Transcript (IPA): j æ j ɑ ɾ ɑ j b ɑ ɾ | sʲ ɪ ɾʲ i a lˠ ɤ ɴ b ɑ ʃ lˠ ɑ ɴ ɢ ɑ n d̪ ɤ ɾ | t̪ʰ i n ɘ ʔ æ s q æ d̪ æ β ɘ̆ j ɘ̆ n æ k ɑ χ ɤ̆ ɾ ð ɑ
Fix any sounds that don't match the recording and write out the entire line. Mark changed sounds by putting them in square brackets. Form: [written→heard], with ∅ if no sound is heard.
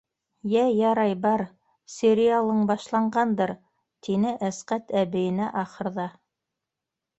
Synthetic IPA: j æ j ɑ ɾ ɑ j b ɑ ɾ | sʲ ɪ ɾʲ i a lˠ ɤ ɴ b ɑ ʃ lˠ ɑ ɴ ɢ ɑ n d̪ ɤ ɾ | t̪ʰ i n ɘ ʔ æ s q æ [d̪→t̪] æ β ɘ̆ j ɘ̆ n æ [k→ʔ] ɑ χ ɤ̆ ɾ ð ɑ